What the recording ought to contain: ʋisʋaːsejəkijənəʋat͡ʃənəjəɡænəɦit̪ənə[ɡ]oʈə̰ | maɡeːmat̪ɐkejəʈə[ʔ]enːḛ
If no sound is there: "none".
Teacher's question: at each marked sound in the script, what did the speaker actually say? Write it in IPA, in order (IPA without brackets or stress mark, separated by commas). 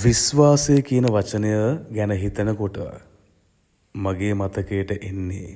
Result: k, ʔ